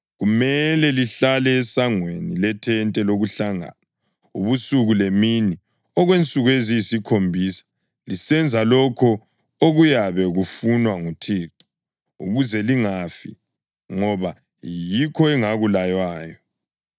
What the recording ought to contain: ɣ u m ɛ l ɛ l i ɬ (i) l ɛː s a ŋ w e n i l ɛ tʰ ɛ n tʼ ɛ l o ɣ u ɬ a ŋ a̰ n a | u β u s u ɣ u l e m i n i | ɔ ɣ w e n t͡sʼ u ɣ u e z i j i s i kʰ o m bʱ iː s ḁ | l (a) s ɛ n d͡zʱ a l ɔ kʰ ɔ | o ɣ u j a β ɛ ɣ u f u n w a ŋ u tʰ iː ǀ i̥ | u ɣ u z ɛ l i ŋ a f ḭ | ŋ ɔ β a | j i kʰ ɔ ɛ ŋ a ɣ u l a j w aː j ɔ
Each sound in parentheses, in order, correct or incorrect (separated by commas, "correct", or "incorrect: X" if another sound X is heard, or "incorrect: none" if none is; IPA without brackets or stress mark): incorrect: a, incorrect: i